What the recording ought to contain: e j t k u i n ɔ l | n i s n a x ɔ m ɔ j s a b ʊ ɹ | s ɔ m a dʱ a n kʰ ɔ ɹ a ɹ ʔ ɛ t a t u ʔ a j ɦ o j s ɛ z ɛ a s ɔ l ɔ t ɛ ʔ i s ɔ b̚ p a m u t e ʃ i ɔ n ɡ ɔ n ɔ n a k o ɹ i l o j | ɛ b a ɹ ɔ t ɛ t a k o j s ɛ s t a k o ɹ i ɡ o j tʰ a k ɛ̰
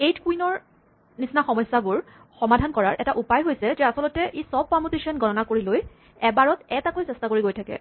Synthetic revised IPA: e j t k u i n ɔ ɹ | n i s n a x ɔ m ɔ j s a b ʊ ɹ | x ɔ m a dʱ a n k ɔ ɹ a ɹ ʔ ɛ t a ʔ u p a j ɦ o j s ɛ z ɛ a s ɔ l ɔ t ɛ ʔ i s ɔ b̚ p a m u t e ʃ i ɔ n ɡ ɔ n ɔ n a k o ɹ i l o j | ɛ b a ɹ ɔ t ɛ t a k o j s ɛ s t a k o ɹ i ɡ o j tʰ a k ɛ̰